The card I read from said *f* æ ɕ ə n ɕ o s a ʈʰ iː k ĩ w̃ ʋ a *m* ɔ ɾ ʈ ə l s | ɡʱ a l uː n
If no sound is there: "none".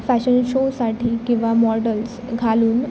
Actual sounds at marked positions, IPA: f, m

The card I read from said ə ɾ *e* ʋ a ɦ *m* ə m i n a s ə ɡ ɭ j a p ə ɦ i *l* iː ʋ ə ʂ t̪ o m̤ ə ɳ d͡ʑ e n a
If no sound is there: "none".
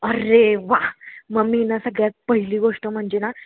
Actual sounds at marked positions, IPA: e, m, l

